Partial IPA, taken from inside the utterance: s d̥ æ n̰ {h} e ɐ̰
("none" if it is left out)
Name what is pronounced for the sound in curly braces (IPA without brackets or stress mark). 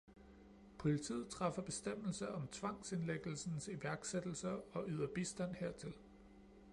h